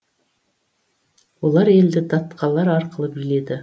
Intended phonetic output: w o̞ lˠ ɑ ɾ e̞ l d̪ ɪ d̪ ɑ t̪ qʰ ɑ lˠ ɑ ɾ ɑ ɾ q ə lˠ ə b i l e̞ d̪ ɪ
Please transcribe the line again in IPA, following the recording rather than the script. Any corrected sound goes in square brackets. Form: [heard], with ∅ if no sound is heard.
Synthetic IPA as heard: w o̞ lˠ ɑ ɾ e̞ l d̪ ɪ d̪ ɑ t̪ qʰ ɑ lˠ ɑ ɾ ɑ ɾ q ə lˠ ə b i l e̞ d̪ ɪ